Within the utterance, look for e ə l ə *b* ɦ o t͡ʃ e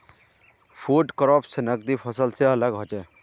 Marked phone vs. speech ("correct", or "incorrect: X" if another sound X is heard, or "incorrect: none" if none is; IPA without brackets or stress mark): incorrect: ɡ